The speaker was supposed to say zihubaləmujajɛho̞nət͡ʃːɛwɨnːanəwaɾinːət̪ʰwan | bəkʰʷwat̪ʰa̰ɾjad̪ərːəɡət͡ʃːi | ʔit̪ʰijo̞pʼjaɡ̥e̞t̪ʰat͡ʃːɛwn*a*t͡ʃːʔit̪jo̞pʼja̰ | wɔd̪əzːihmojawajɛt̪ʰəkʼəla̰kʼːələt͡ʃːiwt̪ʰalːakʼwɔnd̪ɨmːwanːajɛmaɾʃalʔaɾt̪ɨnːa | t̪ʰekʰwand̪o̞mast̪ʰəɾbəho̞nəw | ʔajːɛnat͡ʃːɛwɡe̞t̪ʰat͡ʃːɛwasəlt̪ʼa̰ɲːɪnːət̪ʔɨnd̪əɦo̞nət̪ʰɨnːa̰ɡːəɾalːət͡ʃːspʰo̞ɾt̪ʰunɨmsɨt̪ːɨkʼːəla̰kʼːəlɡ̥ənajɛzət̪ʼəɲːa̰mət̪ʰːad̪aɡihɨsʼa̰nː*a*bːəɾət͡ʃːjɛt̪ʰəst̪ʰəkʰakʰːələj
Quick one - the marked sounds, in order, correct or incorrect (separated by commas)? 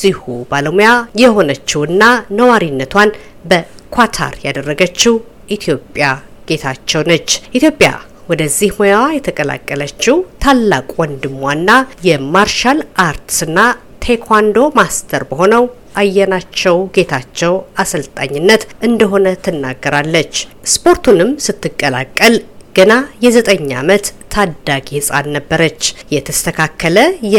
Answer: incorrect, incorrect